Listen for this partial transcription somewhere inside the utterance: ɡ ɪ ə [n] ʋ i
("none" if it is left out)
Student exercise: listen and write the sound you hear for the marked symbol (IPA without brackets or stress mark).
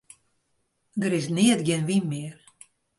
n